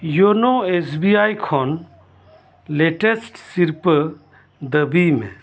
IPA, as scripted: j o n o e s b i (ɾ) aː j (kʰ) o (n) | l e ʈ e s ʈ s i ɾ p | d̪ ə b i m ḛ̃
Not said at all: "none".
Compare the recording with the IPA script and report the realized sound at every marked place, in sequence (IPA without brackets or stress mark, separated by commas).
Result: none, kʰ, n